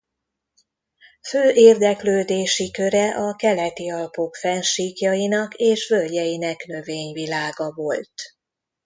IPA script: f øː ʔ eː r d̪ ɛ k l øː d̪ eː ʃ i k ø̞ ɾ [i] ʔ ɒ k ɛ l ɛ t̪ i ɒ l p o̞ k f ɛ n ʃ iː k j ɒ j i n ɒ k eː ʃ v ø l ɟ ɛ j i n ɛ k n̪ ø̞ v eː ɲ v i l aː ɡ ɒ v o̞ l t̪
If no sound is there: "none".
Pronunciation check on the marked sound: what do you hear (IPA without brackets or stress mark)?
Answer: ɛ